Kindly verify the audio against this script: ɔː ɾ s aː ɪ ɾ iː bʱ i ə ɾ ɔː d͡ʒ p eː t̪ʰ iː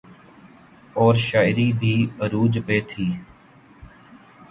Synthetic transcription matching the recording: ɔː ɾ ʃ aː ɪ ɾ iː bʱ iː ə ɾ uː d͡ʒ p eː t̪ʰ iː